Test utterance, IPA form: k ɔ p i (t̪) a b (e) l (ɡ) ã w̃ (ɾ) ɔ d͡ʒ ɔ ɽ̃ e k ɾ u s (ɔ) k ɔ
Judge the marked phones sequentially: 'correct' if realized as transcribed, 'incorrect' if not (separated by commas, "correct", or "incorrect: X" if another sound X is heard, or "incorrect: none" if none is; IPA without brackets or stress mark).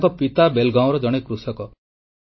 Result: correct, correct, correct, correct, correct